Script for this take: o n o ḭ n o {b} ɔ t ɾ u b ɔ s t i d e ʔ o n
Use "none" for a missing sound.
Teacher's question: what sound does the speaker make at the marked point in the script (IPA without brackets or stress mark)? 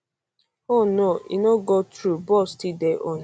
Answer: ɡ